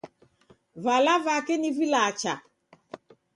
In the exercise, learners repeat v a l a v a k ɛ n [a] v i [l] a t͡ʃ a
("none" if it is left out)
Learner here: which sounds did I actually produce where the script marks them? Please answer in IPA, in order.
i, l

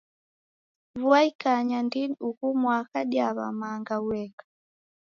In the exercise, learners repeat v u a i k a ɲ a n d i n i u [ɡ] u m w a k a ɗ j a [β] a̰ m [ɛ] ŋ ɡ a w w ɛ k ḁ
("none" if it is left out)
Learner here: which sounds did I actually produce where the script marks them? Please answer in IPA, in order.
k, β, a

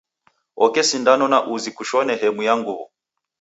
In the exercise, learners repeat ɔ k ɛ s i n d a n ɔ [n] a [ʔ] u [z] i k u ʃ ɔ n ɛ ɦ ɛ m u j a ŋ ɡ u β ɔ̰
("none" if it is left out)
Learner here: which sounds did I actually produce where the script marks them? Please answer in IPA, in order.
n, ʔ, z

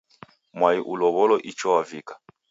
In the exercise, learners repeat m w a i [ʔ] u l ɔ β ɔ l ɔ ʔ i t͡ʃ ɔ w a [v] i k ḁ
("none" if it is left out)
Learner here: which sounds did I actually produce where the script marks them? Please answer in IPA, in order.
ʔ, v

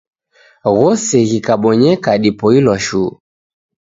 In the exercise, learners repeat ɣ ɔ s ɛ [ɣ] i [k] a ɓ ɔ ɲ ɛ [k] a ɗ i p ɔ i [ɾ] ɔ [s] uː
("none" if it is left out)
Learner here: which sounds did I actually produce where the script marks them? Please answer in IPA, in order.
ɣ, k, k, l, ʃ

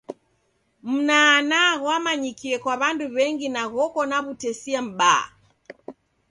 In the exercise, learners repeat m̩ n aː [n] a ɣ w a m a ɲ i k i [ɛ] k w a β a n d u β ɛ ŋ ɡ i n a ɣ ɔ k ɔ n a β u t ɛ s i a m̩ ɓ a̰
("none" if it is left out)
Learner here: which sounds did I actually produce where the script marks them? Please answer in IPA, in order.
n, ɛ

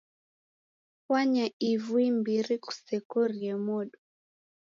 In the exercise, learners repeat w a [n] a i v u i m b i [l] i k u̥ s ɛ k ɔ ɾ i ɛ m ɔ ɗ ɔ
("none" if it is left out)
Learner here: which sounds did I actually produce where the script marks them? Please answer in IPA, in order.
ɲ, ɾ

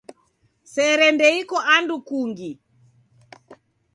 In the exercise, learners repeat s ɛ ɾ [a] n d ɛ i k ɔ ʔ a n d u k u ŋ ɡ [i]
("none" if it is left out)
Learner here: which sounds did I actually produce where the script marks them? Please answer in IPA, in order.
ɛ, i

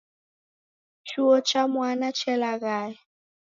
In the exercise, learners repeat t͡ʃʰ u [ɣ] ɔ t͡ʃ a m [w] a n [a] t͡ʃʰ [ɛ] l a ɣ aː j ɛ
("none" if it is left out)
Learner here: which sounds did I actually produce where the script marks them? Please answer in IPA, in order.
none, w, a, ɛ

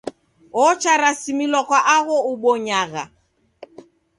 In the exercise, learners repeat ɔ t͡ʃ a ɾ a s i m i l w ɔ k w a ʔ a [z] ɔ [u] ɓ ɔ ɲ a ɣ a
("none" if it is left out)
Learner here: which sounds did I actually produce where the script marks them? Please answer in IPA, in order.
ɣ, u

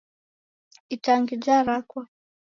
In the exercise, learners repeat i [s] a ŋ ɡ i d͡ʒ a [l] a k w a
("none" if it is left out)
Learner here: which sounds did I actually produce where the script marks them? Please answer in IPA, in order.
t, ɾ

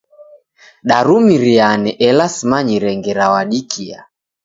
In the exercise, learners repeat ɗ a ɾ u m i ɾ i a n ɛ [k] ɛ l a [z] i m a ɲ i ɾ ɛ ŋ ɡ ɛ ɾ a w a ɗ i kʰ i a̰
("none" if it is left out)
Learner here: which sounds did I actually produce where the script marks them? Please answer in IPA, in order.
ʔ, s

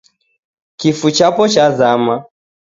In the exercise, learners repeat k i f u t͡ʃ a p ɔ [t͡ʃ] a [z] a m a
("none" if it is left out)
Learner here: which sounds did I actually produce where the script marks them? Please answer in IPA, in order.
t͡ʃ, z

